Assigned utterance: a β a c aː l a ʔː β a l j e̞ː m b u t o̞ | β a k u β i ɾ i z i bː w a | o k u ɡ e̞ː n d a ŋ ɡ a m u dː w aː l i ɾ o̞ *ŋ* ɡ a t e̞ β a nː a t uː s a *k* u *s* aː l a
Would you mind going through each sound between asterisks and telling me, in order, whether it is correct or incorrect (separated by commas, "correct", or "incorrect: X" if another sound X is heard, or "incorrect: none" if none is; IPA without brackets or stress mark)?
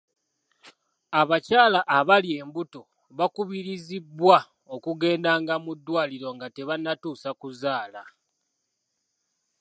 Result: correct, correct, incorrect: z